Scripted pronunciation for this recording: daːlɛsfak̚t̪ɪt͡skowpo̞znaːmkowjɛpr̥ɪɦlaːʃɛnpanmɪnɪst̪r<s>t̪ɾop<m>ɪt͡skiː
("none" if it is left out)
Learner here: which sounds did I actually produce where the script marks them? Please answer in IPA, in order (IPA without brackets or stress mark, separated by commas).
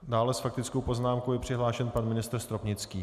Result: s, ɲ